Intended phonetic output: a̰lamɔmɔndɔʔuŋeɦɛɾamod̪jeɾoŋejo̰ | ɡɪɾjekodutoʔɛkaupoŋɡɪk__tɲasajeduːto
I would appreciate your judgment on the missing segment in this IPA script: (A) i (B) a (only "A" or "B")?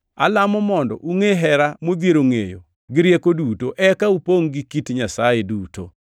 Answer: A